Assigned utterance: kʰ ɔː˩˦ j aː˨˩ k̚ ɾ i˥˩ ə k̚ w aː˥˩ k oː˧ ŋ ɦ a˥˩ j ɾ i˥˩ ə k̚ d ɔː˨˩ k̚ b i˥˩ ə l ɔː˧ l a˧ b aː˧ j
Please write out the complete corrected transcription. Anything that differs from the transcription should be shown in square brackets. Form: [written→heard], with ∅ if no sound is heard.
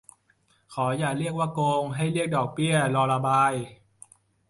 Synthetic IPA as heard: kʰ ɔː˩˦ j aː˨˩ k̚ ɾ i˥˩ ə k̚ w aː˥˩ k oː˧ ŋ ɦ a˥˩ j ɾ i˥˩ ə k̚ d ɔː˨˩ k̚ b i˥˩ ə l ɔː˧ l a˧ b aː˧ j